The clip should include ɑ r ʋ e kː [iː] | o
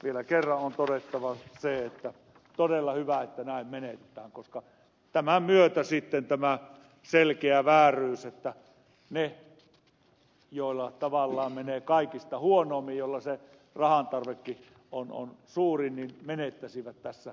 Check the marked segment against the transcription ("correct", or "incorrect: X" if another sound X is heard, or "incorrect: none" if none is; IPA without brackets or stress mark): incorrect: i